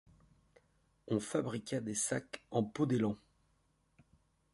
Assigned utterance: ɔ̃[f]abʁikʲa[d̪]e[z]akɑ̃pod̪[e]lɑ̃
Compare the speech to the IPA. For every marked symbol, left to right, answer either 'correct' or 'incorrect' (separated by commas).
correct, correct, incorrect, correct